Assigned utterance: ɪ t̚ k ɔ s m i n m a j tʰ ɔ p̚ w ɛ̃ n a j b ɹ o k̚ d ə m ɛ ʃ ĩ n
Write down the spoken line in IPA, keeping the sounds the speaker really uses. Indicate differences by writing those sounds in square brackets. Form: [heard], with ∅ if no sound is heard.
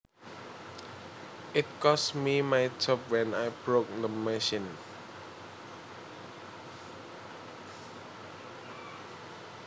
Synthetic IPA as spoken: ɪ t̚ k ɔ s m i [∅] m a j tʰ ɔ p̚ w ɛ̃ n a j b ɹ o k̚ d ə m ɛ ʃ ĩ n